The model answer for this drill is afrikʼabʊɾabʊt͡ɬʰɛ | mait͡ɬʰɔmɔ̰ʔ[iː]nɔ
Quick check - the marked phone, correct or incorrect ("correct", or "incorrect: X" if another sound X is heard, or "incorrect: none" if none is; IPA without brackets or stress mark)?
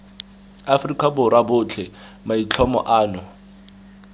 incorrect: aː